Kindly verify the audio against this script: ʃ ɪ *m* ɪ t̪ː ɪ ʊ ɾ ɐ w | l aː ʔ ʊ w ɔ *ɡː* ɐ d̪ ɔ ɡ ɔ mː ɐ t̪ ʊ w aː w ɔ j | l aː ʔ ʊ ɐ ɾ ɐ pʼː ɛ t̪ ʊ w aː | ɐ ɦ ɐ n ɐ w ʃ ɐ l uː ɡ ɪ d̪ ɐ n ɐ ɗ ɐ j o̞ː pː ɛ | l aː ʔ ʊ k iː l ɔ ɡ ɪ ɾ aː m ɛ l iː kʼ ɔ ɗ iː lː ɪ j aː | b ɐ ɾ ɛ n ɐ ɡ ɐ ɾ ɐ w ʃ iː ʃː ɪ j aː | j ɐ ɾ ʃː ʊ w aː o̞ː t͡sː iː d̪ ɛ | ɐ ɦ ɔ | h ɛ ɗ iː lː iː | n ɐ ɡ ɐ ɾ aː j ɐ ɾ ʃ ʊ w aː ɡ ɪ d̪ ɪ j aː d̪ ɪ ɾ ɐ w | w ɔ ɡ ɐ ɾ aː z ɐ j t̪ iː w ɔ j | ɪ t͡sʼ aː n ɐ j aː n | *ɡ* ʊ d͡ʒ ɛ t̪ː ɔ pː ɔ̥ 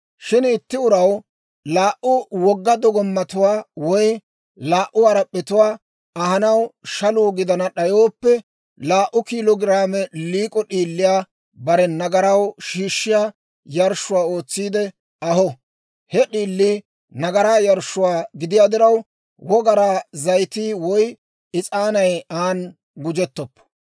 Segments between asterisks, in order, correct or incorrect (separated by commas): incorrect, correct, correct